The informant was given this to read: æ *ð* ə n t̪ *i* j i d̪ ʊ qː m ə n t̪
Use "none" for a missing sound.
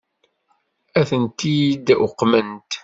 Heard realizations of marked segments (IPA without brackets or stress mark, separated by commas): θ, i